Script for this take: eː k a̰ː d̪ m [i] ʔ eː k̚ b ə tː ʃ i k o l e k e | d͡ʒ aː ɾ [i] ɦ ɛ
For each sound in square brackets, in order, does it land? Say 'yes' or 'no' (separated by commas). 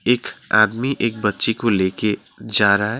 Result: yes, no